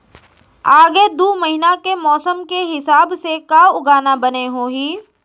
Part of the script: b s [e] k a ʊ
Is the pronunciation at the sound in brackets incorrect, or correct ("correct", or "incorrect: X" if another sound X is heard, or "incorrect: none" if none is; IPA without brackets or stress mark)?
correct